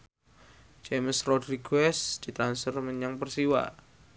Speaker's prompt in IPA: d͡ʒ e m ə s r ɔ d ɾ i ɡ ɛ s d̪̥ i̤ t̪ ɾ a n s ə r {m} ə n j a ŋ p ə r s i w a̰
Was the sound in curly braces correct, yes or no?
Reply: yes